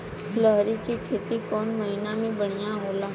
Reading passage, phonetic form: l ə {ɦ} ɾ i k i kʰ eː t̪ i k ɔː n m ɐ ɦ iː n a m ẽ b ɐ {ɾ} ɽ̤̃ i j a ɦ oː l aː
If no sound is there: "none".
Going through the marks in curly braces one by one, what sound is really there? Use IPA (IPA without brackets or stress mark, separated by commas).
ɦ, none